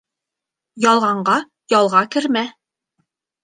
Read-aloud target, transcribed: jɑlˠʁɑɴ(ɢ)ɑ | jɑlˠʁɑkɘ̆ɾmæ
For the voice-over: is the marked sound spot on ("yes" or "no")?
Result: yes